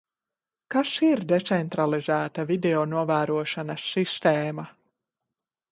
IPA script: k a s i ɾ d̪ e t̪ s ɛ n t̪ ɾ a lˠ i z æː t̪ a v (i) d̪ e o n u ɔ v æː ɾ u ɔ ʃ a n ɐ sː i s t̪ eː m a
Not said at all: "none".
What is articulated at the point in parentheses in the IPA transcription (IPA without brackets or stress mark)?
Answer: i